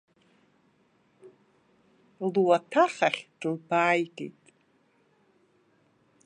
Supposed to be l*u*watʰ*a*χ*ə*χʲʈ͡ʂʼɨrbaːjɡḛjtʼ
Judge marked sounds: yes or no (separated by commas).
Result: yes, yes, no